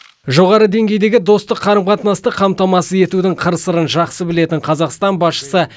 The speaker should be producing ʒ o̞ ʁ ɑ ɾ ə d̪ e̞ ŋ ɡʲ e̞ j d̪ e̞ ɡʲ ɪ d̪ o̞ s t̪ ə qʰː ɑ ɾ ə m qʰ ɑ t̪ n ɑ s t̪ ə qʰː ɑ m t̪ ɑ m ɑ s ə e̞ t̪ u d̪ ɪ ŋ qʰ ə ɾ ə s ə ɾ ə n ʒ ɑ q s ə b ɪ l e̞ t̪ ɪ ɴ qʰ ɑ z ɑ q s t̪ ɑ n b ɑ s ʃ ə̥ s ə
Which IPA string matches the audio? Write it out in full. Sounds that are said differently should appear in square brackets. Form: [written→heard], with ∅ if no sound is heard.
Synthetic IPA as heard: ʒ o̞ ʁ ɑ ɾ ə d̪ e̞ ŋ ɡʲ e̞ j d̪ e̞ ɡʲ ɪ d̪ o̞ s t̪ ə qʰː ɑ ɾ ə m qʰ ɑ t̪ n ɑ s t̪ ə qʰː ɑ m t̪ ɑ m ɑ s ə e̞ t̪ u d̪ ɪ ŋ qʰ ə ɾ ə s ə ɾ ə n ʒ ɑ q s ə b ɪ l e̞ t̪ ɪ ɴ qʰ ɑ z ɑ q s t̪ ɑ n b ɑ s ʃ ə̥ s ə